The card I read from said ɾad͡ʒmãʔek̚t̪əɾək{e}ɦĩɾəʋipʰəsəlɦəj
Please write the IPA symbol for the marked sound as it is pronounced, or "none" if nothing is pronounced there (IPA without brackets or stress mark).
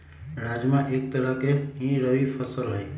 e